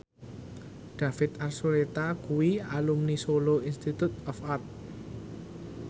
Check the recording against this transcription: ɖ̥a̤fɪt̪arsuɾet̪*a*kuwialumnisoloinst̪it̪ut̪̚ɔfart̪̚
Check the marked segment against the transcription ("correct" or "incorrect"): correct